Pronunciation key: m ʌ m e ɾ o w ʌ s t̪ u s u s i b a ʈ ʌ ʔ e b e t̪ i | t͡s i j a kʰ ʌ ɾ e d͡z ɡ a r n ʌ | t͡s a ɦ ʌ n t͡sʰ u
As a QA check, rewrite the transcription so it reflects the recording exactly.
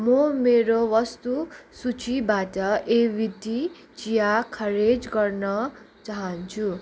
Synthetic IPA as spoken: m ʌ m e ɾ o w ʌ s t̪ u s u t͡s i b a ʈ ʌ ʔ e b i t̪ i | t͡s i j a kʰ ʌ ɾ e d͡z ɡ ʌ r n ʌ | t͡s a ɦ ʌ n t͡sʰ u